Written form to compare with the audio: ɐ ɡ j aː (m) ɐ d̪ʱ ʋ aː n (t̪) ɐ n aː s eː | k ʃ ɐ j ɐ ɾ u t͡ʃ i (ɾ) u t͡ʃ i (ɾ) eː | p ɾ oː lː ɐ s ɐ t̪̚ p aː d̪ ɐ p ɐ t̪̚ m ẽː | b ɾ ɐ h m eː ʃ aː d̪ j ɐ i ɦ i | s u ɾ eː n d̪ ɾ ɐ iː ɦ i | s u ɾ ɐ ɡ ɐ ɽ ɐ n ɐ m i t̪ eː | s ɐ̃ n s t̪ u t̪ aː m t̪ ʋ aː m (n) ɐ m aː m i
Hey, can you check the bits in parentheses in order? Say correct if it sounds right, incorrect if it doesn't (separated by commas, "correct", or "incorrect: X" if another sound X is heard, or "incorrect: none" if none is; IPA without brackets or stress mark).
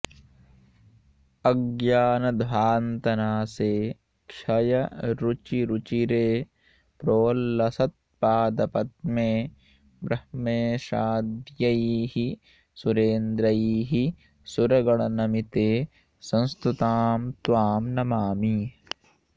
incorrect: n, correct, correct, correct, correct